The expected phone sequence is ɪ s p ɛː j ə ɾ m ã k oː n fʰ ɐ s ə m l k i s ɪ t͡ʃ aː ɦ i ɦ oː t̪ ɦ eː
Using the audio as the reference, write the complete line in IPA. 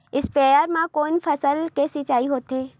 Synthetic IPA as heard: ɪ s p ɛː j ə ɾ m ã k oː n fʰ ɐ s ə l k e s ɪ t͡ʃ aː i ɦ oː t̪ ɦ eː